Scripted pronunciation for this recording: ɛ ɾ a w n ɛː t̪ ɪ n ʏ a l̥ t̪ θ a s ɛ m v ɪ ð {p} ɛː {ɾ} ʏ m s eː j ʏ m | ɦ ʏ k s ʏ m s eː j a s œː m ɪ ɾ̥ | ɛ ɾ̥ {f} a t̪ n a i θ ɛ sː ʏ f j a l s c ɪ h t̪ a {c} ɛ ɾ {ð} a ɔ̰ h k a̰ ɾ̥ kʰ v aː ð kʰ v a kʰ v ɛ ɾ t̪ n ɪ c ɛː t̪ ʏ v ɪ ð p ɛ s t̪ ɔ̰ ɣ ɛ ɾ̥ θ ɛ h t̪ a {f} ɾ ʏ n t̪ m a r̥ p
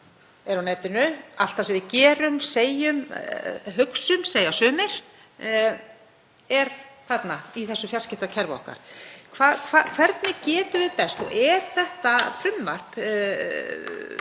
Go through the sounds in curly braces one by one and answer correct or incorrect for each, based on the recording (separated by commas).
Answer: incorrect, correct, incorrect, incorrect, incorrect, correct